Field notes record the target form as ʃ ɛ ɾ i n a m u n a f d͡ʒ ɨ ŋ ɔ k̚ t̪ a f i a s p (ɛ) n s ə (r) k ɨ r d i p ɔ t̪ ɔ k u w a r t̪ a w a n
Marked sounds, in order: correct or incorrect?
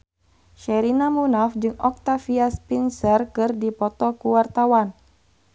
incorrect, correct

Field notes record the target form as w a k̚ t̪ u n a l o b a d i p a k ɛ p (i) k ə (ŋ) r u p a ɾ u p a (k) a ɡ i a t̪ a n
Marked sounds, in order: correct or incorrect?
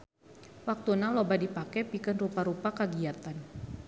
correct, incorrect, correct

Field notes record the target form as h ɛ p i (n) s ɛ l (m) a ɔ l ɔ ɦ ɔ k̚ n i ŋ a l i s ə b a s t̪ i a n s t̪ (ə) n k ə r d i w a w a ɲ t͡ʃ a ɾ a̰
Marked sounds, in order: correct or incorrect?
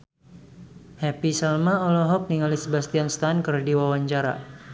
incorrect, correct, incorrect

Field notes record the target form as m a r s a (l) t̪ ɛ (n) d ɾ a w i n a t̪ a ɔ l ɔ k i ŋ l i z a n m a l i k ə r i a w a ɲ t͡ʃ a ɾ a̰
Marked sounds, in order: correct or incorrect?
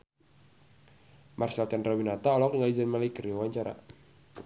correct, correct

